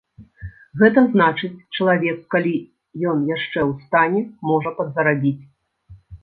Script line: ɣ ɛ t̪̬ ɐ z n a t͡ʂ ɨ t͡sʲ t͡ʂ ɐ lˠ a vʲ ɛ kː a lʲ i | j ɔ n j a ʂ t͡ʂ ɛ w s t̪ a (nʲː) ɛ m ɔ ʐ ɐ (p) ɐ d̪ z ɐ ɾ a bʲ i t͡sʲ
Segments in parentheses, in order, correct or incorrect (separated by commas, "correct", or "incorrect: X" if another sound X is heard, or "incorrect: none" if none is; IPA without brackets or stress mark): incorrect: nʲ, correct